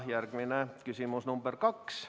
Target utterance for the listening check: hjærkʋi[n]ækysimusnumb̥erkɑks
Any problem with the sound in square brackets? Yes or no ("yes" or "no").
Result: no